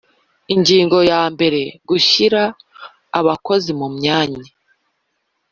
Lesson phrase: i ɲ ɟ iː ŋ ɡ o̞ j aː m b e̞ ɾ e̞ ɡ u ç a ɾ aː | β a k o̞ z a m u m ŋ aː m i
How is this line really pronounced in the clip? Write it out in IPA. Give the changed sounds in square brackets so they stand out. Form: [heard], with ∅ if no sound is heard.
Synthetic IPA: i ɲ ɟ iː ŋ ɡ o̞ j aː m b e̞ ɾ e̞ ɡ u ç [i] ɾ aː | β a k o̞ z [i] m u m [ɲ] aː [ɲ] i